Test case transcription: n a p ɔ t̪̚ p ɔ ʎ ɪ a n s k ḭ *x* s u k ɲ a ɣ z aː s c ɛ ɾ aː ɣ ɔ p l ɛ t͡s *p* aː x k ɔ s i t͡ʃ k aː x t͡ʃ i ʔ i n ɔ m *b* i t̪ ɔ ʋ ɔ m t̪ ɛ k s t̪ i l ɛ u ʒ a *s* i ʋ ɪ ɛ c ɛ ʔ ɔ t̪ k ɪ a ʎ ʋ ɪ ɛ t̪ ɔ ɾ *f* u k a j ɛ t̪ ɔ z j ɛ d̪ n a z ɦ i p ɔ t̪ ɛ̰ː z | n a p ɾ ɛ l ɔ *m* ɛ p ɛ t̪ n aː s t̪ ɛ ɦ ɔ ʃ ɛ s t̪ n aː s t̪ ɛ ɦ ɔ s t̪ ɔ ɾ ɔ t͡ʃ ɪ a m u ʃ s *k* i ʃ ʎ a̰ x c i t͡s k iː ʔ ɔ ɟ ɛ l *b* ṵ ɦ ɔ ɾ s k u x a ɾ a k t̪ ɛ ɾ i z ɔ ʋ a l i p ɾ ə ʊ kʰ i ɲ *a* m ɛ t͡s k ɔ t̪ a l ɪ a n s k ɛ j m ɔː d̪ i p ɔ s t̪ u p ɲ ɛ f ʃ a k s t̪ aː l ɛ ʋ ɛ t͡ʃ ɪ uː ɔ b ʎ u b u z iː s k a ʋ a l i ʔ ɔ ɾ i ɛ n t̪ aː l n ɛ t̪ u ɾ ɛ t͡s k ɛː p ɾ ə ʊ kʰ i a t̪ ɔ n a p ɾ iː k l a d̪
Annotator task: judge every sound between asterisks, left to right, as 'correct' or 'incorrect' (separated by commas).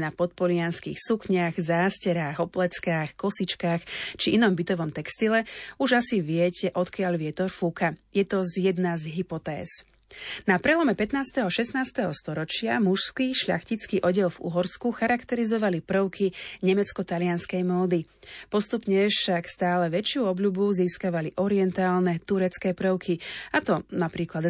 correct, incorrect, correct, correct, correct, correct, correct, incorrect, incorrect